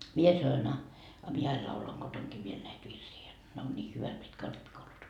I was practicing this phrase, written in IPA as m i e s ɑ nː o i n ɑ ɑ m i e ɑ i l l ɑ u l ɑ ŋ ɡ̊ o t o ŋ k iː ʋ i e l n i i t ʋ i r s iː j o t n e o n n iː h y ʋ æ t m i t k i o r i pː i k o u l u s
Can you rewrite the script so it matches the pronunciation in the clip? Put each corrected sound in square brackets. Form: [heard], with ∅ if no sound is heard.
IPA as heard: m i e s ɑ [n] o i n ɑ ɑ m i e ɑ i l l ɑ u l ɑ ŋ ɡ̊ o t o ŋ k iː ʋ i e l n [æ] i t ʋ i r s iː j o t n e o n n iː h y ʋ æ t m i t k [æ] o r i pː i k o u l u s